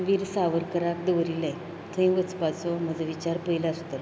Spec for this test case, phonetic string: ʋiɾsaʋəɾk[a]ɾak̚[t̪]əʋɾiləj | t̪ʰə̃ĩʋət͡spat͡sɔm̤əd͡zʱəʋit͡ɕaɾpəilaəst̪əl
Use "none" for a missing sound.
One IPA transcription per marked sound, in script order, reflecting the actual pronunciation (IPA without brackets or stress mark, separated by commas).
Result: ə, d̪